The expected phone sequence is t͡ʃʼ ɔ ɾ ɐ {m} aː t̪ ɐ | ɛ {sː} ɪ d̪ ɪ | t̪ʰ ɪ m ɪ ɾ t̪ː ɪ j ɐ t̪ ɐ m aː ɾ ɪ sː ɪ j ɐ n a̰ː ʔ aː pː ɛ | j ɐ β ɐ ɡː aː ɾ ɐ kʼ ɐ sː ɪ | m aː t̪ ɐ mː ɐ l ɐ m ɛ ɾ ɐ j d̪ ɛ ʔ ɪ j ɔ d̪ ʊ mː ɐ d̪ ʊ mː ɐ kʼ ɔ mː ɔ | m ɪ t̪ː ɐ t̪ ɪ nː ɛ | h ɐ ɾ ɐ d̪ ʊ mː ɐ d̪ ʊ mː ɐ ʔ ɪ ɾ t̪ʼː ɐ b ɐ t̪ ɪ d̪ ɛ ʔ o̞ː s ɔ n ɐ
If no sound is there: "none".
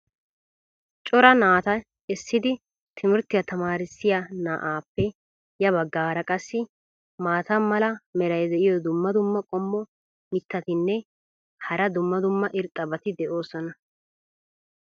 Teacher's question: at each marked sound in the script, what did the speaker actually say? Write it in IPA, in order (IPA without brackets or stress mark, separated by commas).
n, sː